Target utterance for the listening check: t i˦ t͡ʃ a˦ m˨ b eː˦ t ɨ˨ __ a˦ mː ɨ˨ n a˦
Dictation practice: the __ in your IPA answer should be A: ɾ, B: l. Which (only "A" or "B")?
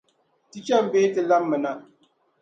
B